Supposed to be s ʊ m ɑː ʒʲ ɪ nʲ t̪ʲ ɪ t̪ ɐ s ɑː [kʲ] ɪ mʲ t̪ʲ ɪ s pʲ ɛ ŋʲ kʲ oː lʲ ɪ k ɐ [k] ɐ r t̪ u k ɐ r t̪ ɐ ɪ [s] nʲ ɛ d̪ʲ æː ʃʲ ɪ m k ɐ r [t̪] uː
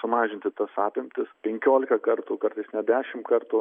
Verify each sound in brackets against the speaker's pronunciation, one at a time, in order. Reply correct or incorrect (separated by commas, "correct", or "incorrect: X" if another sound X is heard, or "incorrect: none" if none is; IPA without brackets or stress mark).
incorrect: pʲ, correct, correct, correct